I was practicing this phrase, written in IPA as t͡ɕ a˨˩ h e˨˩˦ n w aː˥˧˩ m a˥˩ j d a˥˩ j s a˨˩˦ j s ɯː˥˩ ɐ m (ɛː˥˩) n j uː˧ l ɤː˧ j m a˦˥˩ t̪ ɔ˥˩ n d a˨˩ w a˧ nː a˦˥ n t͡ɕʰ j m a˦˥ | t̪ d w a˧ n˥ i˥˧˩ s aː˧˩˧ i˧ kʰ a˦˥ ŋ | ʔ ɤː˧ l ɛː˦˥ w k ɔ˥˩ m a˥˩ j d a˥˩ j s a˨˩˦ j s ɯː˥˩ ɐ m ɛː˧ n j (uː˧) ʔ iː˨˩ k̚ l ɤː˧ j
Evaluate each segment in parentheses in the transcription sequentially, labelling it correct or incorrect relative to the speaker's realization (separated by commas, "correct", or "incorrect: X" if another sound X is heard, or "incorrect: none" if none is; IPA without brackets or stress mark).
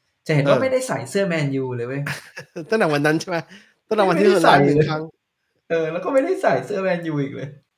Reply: incorrect: ɛː˧, correct